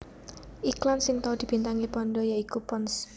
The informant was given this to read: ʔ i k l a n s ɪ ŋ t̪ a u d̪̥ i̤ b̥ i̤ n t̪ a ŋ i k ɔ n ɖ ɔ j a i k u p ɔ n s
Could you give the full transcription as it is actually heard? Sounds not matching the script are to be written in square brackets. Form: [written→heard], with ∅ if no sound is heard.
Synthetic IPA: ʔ i k l a n s ɪ ŋ t̪ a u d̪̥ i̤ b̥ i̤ n t̪ a ŋ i [k→p] ɔ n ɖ ɔ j a i k u p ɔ n s